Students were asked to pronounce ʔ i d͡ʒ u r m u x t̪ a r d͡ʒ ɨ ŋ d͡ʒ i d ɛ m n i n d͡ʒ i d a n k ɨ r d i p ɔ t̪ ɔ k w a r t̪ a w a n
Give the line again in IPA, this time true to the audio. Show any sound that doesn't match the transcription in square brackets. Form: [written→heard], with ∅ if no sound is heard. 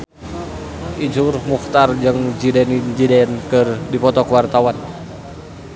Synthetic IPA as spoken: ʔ i d͡ʒ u r m u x t̪ a r d͡ʒ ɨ ŋ d͡ʒ i d ɛ [m→∅] n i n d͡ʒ i d [a→ɛ] n k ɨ r d i p ɔ t̪ ɔ k w a r t̪ a w a n